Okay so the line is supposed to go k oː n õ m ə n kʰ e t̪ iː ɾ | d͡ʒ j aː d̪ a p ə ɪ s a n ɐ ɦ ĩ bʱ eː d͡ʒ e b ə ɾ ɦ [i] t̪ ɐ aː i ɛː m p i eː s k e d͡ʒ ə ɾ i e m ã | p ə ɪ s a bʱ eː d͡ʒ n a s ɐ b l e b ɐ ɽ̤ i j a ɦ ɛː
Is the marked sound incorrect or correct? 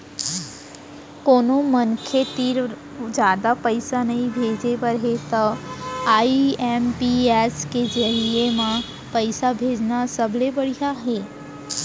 incorrect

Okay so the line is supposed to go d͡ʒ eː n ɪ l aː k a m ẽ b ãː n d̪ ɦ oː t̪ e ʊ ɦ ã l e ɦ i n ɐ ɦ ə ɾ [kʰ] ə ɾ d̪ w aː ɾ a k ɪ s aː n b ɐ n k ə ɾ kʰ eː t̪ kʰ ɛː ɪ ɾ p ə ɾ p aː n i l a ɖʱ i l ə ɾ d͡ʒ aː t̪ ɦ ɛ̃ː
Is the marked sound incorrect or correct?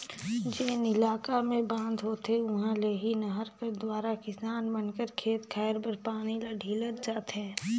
incorrect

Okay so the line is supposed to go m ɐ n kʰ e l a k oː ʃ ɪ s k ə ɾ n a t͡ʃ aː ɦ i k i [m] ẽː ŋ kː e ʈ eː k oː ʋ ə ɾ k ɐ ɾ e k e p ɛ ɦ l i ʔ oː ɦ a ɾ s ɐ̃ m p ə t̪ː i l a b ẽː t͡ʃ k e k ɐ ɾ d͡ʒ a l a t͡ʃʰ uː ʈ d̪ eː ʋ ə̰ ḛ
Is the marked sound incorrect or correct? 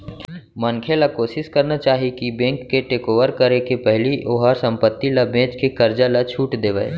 incorrect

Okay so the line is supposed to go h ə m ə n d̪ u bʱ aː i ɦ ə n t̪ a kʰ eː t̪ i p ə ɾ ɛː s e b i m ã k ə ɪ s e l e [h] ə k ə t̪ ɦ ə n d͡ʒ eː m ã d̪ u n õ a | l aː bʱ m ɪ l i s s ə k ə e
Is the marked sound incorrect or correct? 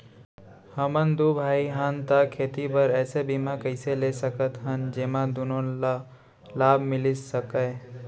incorrect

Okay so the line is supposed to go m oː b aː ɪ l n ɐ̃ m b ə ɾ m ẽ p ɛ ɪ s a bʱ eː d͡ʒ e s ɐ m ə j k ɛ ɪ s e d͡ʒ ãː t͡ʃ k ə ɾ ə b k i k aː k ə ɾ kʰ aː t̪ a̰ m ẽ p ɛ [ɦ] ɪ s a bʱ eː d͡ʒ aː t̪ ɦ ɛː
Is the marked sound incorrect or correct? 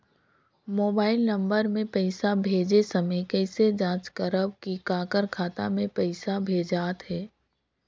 incorrect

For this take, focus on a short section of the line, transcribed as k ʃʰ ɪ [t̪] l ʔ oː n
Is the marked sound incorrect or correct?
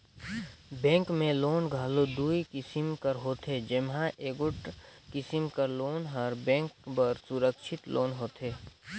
correct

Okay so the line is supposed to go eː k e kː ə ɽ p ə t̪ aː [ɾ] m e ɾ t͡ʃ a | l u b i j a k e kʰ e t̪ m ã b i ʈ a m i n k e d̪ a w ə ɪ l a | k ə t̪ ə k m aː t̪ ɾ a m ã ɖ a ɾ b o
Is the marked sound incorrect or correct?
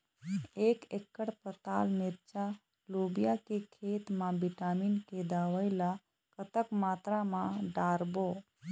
incorrect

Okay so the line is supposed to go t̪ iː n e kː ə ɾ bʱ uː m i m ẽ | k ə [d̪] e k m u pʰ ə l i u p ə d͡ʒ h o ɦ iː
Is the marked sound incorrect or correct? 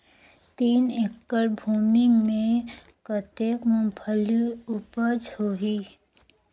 incorrect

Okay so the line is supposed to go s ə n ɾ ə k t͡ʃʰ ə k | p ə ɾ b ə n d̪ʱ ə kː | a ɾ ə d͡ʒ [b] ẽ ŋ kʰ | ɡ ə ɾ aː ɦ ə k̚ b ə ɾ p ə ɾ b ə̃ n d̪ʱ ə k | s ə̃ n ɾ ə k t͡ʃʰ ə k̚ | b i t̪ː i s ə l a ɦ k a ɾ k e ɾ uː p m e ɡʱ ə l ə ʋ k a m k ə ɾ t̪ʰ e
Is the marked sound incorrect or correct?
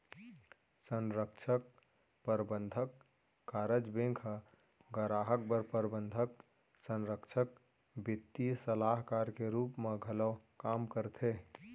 correct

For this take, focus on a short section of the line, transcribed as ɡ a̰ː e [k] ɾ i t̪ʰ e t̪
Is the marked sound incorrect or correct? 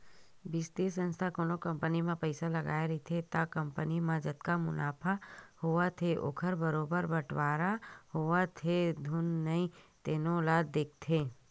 incorrect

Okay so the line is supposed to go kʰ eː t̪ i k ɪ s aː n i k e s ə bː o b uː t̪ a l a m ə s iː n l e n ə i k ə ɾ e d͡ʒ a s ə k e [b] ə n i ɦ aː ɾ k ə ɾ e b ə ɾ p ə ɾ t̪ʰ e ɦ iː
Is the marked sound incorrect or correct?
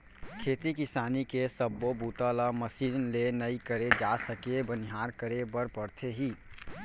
correct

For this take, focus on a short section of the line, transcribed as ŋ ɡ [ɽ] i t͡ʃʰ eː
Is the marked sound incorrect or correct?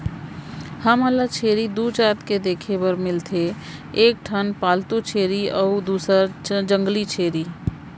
incorrect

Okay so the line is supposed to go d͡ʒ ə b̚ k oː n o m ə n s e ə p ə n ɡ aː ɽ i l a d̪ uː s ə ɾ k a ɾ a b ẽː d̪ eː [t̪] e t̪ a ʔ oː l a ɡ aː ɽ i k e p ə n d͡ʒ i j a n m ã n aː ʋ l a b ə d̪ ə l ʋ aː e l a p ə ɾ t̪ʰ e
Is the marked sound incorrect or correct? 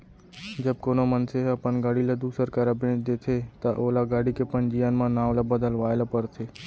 incorrect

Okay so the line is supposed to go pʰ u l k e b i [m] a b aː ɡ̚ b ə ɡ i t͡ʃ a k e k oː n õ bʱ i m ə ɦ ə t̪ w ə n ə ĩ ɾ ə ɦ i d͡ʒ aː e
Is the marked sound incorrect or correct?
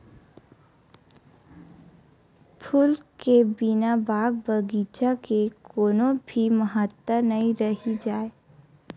incorrect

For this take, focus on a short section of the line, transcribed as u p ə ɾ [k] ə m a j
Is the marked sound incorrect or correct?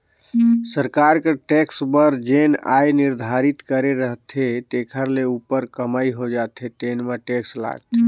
correct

